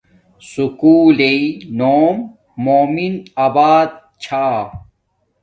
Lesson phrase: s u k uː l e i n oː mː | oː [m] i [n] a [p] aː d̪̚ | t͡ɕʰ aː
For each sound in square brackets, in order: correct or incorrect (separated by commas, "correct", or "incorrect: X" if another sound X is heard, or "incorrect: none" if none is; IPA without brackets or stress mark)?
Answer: correct, correct, incorrect: b